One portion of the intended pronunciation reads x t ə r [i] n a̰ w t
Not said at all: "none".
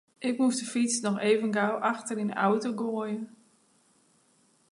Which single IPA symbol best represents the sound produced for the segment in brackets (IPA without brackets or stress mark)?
i